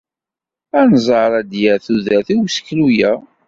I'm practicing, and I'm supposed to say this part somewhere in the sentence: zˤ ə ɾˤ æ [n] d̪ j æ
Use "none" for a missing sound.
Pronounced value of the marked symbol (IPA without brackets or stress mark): none